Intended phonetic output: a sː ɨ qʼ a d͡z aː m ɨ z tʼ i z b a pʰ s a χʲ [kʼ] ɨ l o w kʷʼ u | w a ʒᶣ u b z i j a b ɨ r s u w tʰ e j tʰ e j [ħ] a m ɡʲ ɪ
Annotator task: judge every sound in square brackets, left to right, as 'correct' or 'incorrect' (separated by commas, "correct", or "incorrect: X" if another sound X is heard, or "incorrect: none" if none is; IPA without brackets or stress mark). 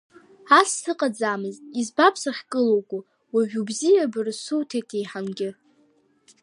correct, correct